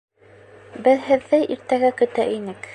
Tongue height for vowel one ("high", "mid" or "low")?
mid